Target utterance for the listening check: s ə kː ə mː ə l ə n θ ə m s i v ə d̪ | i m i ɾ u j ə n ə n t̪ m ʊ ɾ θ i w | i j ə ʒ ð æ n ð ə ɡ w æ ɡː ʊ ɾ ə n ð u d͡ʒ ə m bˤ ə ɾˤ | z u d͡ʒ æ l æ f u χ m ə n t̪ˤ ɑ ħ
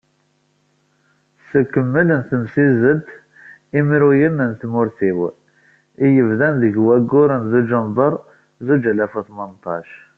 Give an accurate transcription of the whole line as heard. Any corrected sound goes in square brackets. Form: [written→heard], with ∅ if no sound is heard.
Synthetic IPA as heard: s ə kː ə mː ə l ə n θ ə m s i [v→z] ə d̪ | i m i ɾ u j ə n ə n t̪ m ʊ ɾ θ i w | i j ə [ʒ→v] ð æ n ð ə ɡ w æ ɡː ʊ ɾ ə n [ð→z] u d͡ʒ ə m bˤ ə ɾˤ | z u d͡ʒ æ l æ f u [χ→θ] m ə n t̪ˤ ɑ [ħ→ʃ]